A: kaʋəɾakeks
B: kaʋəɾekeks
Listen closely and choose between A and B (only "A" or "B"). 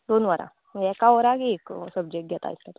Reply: A